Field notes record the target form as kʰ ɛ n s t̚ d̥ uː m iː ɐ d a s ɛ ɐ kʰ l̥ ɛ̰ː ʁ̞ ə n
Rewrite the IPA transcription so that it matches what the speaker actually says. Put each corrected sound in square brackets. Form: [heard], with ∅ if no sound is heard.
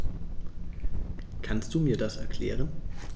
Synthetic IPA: kʰ [a] n s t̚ d̥ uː m iː ɐ d a s ɛ ɐ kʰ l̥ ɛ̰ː ʁ̞ ə n